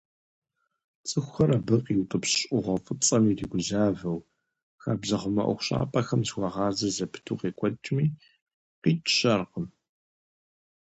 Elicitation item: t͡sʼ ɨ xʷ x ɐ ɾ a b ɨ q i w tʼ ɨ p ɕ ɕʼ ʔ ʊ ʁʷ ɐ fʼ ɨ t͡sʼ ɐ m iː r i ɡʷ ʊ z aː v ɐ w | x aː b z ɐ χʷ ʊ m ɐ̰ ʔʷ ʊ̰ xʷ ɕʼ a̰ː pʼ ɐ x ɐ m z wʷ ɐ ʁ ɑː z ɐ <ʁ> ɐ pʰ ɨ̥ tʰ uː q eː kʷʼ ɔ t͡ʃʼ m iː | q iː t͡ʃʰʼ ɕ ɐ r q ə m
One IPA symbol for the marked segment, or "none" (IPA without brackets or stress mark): z